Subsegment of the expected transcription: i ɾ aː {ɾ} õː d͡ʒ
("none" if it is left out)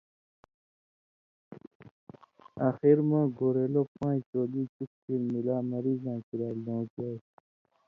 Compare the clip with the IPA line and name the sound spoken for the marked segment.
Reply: l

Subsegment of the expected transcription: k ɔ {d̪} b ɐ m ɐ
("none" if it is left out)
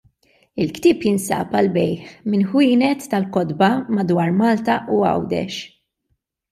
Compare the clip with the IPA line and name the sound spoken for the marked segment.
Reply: d̪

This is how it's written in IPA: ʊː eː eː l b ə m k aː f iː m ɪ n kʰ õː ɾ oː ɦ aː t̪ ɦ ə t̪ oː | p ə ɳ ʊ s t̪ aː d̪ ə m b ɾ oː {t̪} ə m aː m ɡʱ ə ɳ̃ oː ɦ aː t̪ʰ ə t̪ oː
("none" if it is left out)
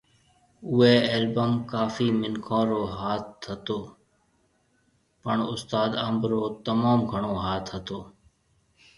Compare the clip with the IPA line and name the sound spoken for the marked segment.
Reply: t̪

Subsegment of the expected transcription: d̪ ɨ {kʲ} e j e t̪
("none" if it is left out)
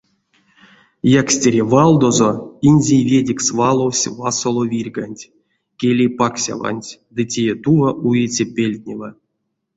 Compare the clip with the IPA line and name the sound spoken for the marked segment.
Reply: tʲ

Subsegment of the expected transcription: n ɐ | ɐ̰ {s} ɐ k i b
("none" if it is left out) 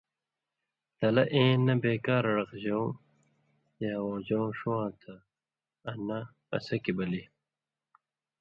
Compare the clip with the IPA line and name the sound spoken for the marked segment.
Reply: s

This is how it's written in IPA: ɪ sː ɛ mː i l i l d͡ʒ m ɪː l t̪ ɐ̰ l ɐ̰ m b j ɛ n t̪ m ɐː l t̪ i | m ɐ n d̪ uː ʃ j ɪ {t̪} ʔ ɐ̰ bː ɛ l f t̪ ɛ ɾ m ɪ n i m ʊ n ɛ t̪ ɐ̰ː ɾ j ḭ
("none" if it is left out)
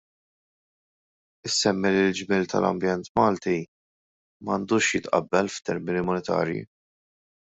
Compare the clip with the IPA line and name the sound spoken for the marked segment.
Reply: t̪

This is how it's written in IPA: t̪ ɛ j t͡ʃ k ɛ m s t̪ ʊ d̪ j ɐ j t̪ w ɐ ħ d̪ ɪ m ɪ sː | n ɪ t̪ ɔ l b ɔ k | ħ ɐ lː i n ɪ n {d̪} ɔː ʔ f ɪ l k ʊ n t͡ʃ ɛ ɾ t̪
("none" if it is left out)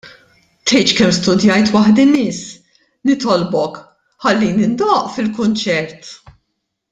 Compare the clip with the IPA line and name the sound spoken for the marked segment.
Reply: d̪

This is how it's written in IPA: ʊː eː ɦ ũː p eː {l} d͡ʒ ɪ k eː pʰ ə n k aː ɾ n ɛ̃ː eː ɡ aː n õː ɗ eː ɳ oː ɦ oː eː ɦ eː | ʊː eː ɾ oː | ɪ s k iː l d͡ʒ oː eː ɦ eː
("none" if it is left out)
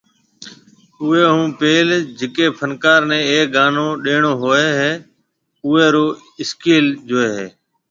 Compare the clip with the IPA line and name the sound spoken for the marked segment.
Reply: l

